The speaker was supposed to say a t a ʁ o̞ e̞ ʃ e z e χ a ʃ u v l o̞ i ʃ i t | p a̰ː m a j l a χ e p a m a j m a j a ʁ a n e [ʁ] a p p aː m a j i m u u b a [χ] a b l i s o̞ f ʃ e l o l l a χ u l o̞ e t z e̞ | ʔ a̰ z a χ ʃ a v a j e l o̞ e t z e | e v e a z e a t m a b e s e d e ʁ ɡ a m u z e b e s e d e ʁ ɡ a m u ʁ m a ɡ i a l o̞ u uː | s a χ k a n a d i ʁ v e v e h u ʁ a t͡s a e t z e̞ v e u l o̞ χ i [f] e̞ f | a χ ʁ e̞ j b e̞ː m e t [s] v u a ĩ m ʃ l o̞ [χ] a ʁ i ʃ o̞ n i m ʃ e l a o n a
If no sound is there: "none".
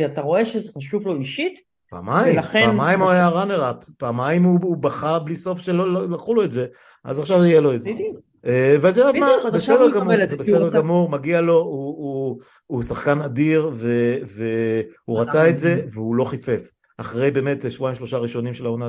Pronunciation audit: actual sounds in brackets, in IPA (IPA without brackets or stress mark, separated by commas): ʁ, χ, f, ʃ, ʃ